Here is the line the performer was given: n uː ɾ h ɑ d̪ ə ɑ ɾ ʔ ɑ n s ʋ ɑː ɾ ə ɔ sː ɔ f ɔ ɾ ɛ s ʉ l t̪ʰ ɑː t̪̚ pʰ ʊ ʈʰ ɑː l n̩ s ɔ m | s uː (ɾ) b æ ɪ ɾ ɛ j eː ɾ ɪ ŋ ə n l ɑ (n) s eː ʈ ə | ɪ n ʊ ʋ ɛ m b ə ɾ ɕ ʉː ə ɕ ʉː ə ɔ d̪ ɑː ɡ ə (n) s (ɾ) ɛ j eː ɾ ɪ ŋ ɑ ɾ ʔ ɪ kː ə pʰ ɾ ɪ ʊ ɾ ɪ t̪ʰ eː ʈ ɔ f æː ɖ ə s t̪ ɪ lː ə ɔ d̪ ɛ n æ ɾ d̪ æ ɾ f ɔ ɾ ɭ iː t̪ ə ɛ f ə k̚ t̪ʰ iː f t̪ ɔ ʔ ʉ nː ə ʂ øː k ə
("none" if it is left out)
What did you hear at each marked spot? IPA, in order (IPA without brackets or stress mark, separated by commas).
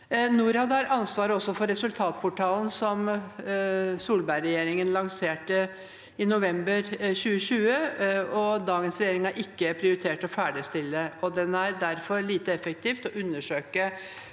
l, ŋ, n, ɾ